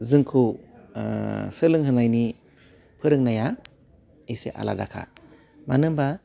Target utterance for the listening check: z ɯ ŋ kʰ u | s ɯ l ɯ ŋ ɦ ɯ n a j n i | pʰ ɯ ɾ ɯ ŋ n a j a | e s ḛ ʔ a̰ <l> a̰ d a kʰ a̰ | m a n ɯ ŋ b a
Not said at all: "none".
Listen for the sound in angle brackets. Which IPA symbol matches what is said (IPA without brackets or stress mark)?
l